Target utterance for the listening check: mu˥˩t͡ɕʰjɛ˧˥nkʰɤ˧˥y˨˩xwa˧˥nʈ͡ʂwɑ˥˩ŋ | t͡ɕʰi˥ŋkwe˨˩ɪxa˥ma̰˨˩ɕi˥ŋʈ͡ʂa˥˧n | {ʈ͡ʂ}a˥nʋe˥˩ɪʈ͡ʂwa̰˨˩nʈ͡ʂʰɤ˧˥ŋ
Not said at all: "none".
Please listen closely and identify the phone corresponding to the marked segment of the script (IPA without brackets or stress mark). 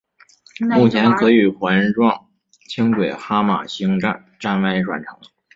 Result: ʈ͡ʂ